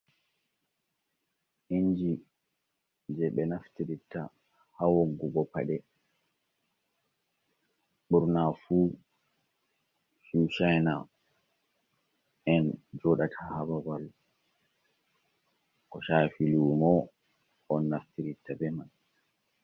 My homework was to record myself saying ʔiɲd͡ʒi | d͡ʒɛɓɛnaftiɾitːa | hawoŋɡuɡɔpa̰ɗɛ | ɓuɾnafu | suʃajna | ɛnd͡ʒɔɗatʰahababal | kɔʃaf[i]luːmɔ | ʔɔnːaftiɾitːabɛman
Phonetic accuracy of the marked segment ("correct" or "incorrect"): correct